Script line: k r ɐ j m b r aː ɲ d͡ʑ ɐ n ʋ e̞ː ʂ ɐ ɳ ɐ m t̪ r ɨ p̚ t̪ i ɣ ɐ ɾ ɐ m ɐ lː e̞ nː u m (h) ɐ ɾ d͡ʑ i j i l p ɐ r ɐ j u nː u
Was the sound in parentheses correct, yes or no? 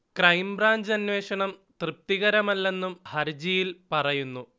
yes